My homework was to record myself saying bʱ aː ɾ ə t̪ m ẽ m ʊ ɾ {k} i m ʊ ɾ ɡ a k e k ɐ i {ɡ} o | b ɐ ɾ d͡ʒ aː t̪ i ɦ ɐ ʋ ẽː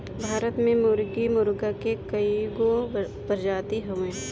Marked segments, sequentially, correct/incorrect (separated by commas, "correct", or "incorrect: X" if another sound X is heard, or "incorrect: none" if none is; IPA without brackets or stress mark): incorrect: ɡ, correct